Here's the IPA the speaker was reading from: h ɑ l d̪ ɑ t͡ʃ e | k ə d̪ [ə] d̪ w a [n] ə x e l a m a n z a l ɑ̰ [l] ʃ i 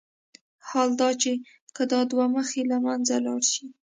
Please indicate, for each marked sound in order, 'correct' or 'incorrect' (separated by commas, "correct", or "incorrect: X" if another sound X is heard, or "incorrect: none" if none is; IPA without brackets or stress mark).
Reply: incorrect: ɑ, incorrect: m, incorrect: ɽ